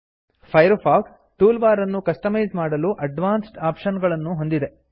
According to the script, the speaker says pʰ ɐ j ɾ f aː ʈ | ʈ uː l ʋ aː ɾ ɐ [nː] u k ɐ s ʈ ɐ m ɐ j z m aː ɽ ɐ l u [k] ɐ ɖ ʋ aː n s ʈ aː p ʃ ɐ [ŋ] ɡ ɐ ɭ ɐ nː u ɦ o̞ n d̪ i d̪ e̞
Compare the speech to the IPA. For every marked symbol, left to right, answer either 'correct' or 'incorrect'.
correct, incorrect, incorrect

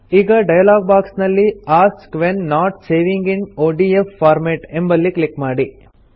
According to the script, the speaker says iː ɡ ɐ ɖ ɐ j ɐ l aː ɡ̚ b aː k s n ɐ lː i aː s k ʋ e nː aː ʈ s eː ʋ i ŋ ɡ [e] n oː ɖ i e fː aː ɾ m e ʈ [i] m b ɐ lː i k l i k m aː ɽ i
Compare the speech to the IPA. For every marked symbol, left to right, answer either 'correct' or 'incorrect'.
incorrect, incorrect

